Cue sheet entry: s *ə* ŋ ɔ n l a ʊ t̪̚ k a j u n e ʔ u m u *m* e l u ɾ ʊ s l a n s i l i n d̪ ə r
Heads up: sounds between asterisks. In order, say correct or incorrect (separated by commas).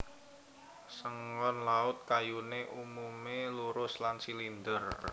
correct, correct